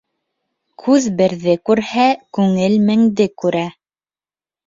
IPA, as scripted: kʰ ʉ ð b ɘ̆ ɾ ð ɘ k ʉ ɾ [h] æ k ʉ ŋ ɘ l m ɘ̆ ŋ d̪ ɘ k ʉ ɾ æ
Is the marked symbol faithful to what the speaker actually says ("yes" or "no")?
yes